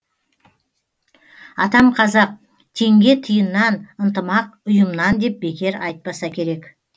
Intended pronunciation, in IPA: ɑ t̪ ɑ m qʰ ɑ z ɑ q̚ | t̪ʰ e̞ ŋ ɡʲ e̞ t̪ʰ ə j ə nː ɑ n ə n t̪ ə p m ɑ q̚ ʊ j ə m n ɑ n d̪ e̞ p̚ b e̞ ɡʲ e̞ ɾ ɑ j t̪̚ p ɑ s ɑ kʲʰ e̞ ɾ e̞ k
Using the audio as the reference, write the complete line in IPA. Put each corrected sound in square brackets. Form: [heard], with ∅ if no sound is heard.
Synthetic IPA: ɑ t̪ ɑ m qʰ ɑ z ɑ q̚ | t̪ʰ e̞ ŋ ɡʲ e̞ t̪ʰ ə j ə nː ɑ n ə n t̪ ə [∅] m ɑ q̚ ʊ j ə m n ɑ n d̪ e̞ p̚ b e̞ [kʲ] e̞ ɾ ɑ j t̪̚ p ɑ s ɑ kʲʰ e̞ ɾ e̞ k

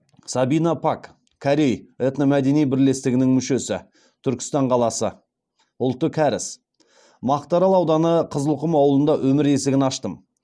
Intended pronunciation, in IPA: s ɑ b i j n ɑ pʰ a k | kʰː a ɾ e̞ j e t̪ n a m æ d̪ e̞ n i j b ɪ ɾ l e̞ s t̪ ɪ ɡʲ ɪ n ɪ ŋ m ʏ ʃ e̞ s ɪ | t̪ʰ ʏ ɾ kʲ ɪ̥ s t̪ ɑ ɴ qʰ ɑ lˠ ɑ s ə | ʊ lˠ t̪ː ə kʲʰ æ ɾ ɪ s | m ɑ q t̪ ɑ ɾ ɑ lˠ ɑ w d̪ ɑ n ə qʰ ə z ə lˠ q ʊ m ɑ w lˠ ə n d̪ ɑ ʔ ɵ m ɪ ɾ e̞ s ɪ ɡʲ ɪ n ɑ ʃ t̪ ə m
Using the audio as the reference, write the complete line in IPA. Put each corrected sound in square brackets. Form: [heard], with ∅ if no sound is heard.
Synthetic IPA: s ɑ b i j n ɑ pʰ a k | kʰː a ɾ e̞ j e t̪ n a m æ d̪ e̞ n i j b ɪ ɾ l e̞ s t̪ ɪ ɡʲ ɪ n ɪ ŋ m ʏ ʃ e̞ s ɪ | t̪ʰ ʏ ɾ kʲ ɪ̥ s t̪ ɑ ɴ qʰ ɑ lˠ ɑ s ə | ʊ lˠ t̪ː ə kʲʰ æ ɾ ɪ s | m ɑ q t̪ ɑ ɾ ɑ lˠ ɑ w d̪ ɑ n ə qʰ ə z ə lˠ q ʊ m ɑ w lˠ ə n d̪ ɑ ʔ ɵ m ɪ ɾ e̞ s ɪ ɡʲ ɪ n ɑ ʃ t̪ ə m

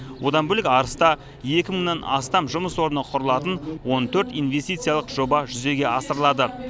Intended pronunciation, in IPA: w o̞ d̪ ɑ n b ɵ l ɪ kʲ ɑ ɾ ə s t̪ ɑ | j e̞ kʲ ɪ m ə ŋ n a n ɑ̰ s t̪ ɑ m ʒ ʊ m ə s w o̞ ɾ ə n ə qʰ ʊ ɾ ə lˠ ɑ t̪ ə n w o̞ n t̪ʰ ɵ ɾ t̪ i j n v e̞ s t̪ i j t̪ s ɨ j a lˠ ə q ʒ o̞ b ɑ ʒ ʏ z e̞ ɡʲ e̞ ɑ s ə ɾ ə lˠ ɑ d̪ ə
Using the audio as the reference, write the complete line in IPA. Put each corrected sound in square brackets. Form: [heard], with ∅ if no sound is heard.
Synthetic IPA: w o̞ d̪ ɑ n b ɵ l ɪ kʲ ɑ ɾ ə s t̪ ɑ | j e̞ kʲ ɪ m ə ŋ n [ɑ] n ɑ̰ s t̪ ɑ m ʒ ʊ m ə s w o̞ ɾ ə n ə qʰ ʊ ɾ ə lˠ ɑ t̪ ə n w o̞ n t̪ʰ ɵ ɾ t̪ i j n v e̞ s t̪ i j t̪ s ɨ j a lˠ ə q ʒ o̞ b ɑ ʒ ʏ z e̞ ɡʲ e̞ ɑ s ə ɾ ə lˠ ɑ d̪ ə

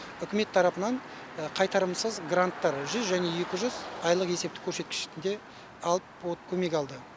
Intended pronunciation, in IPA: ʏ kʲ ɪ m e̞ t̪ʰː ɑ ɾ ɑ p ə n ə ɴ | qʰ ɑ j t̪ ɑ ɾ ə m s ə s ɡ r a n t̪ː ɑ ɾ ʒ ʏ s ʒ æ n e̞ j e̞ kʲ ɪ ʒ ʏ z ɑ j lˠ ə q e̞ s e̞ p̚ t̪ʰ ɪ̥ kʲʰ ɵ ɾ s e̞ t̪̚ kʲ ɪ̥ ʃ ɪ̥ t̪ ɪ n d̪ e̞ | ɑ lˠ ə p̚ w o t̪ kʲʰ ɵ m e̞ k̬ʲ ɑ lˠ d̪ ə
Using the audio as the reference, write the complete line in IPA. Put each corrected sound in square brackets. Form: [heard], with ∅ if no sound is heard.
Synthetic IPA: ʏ kʲ ɪ m e̞ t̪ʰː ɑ ɾ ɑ p ə n [ɑ] ɴ | qʰ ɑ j t̪ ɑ ɾ ə m s ə [z] ɡ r a n t̪ː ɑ ɾ ʒ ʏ [z] ʒ æ n e̞ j e̞ kʲ ɪ ʒ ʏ z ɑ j lˠ ə q e̞ s e̞ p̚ [t̪] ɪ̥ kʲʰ ɵ ɾ s e̞ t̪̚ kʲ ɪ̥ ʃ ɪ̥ t̪ ɪ n d̪ e̞ | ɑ lˠ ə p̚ w o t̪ kʲʰ ɵ m e̞ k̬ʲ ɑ lˠ d̪ ə

